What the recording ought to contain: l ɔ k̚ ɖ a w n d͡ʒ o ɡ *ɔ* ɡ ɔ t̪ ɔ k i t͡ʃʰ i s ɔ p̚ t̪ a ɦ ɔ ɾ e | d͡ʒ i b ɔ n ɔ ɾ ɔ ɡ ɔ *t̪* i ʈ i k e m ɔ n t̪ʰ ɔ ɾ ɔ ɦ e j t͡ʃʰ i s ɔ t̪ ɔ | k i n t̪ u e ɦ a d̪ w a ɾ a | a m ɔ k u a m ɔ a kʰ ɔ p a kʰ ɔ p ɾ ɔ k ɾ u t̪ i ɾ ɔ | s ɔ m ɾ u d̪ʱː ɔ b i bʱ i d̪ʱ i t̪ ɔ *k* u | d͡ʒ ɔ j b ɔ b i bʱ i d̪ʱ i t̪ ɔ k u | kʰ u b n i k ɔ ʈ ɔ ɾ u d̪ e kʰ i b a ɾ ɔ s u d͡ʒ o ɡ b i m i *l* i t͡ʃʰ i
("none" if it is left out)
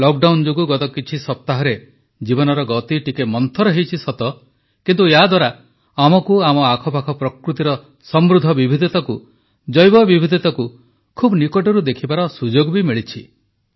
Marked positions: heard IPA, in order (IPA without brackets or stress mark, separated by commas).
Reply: u, t̪, k, ɭ